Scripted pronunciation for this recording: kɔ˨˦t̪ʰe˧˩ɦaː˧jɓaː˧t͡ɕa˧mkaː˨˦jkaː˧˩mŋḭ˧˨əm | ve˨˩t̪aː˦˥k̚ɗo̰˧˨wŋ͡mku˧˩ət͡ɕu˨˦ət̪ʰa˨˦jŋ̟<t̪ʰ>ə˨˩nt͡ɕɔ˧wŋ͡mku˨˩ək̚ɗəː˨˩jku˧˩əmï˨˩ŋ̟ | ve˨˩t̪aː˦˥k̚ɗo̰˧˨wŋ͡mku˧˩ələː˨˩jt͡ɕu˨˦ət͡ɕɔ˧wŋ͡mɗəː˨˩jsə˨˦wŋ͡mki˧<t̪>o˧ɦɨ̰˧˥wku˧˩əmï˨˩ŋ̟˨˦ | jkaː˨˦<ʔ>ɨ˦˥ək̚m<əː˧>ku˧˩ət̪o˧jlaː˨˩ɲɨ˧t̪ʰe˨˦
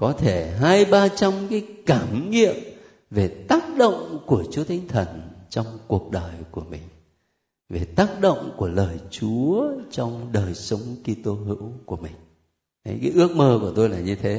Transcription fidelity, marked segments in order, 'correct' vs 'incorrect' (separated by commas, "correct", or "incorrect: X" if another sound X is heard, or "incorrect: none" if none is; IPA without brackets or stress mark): correct, correct, correct, correct